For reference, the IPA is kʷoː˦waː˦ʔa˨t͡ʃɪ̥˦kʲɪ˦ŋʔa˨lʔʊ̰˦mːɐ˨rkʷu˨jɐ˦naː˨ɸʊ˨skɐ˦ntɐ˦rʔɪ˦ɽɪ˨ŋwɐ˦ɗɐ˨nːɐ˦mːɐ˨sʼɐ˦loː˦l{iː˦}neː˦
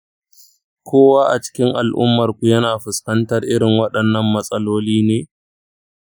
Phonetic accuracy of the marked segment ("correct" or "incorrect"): correct